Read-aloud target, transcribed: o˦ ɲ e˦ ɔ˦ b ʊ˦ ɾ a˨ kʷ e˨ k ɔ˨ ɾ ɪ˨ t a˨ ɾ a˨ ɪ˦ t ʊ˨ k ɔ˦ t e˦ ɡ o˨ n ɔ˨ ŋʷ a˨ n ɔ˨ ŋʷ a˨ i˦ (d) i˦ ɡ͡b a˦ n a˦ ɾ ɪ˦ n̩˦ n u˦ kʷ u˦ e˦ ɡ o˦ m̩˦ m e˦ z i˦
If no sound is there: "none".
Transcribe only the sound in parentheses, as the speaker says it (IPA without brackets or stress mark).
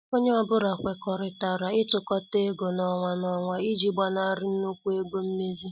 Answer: d͡ʒ